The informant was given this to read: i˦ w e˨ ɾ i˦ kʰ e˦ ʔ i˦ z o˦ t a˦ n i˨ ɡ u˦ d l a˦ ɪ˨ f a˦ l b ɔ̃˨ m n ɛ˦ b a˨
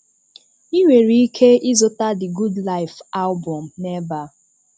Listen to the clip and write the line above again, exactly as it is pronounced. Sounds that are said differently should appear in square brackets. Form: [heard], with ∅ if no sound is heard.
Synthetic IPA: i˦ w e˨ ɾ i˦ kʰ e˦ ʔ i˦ z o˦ t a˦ [d] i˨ ɡ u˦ d l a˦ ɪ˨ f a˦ l b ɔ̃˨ m n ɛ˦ b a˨